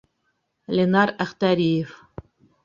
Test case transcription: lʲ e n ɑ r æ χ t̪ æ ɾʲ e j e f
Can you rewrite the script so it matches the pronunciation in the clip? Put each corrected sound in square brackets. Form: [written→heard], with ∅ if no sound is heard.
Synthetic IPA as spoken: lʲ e n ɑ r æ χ t̪ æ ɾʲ [e→i] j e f